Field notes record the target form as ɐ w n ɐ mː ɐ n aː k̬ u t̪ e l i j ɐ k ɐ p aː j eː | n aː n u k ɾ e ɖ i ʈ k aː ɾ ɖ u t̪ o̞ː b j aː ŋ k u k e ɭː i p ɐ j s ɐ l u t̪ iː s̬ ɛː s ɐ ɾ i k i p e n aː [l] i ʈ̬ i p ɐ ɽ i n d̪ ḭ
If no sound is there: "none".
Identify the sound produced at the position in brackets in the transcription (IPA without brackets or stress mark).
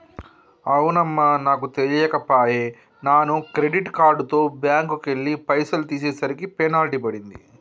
l